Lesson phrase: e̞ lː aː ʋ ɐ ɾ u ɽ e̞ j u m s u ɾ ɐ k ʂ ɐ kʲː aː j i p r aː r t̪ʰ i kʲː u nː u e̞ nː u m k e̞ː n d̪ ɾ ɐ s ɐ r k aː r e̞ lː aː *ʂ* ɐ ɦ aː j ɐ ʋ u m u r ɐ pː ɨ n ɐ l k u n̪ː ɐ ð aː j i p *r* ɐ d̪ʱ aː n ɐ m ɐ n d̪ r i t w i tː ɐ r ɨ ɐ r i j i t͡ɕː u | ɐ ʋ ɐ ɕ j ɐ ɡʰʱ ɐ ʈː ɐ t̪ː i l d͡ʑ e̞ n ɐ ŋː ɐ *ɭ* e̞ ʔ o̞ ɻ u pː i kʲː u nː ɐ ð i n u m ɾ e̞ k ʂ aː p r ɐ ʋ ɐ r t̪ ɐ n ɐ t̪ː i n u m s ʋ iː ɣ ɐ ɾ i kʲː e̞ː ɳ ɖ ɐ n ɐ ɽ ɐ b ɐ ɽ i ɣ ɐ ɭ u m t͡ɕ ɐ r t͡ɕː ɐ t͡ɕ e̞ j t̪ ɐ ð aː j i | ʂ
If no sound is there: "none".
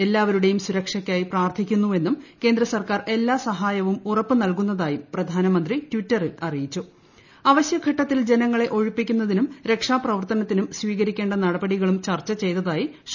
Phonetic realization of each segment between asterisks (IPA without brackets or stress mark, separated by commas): s, r, ɭ